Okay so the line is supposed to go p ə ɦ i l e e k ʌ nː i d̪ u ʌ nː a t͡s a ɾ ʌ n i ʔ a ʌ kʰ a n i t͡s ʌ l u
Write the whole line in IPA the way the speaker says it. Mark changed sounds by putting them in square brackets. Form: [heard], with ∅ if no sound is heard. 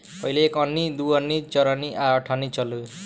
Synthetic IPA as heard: p [ʌ] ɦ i l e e k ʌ nː i d̪ u ʌ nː [i] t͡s [ʌ] ɾ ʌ n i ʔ a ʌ [ʈʰ] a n i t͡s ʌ l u

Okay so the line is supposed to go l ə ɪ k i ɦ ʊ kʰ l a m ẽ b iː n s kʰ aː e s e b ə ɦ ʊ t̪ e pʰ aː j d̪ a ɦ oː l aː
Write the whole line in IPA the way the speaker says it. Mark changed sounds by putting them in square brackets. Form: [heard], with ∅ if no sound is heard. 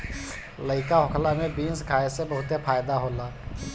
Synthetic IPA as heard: l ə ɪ k [a] ɦ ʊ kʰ l a m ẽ b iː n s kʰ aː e s e b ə ɦ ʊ t̪ e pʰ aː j d̪ a ɦ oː l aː

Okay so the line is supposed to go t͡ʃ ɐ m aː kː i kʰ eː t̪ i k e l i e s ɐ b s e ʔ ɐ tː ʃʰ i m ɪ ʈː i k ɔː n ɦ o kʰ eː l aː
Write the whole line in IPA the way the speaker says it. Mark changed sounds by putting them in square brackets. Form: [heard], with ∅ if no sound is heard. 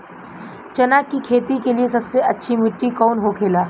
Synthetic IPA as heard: t͡ʃ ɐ [n] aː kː i kʰ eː t̪ i k e l i e s ɐ b s e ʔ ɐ tː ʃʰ i m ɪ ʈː i k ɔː n ɦ o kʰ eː l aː

